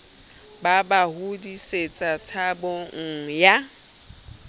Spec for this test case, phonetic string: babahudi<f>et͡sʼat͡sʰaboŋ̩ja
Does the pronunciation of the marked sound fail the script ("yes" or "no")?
yes